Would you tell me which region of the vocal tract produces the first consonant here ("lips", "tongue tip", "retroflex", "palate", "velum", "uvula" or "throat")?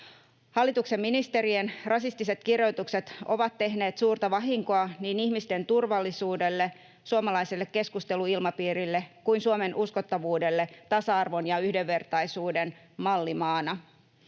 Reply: throat